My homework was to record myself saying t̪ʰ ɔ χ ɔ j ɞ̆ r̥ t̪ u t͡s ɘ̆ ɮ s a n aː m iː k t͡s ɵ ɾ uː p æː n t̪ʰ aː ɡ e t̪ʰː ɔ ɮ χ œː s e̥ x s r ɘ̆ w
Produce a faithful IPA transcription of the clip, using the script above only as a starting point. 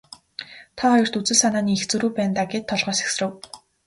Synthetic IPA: t̪ʰ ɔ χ ɔ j ɞ̆ r̥ t̪ u t͡s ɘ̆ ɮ s a n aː n iː x t͡s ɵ ɾ uː p æː n t̪ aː ɡ e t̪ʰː ɔ ɮ ʁ œː s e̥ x s r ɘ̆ w